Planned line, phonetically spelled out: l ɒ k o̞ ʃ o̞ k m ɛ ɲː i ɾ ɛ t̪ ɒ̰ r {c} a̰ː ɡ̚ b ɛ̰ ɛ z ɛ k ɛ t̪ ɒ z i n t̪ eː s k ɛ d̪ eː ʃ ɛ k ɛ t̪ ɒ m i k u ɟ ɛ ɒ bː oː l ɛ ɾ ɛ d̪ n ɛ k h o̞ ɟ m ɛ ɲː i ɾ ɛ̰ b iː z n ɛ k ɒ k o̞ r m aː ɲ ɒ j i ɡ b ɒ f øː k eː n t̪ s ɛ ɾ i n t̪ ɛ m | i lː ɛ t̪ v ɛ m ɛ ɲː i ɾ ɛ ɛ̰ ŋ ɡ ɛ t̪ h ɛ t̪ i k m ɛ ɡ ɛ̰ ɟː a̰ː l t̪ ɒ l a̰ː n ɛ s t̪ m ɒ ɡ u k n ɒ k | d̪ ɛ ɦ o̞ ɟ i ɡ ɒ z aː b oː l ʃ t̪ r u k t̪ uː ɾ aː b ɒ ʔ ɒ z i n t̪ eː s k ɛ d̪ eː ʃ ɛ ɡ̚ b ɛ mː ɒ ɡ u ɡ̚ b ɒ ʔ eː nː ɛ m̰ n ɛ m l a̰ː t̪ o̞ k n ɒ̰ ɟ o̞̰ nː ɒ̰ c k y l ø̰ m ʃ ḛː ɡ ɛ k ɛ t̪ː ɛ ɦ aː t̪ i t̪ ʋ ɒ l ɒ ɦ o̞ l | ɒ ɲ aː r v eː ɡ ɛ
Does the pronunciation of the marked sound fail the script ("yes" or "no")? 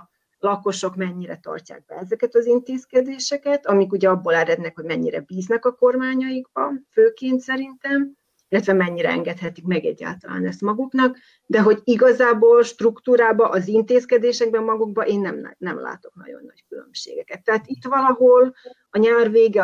no